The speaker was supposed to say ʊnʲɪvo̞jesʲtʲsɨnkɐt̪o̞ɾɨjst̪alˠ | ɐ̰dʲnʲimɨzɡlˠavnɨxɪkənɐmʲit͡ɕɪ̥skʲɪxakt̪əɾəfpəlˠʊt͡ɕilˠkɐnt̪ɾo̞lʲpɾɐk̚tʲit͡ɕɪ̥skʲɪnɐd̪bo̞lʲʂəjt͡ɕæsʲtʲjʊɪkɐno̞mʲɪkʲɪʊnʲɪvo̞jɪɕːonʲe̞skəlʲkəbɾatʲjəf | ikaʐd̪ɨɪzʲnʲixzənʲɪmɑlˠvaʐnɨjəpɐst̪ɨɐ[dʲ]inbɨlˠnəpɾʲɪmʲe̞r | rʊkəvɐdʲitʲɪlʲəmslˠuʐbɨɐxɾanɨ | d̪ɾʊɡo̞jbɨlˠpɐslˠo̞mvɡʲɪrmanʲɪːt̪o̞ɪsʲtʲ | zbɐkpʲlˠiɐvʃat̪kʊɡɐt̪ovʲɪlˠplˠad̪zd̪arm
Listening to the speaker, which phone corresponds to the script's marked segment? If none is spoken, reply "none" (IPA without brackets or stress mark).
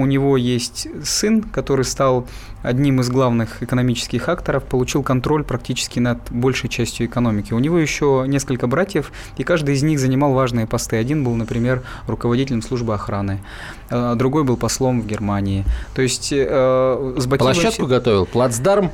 dʲ